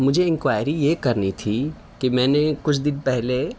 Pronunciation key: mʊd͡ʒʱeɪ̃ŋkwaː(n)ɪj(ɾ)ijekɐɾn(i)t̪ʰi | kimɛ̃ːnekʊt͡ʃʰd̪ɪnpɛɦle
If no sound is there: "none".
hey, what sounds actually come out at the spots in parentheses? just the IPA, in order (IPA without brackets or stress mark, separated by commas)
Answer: none, ɾ, i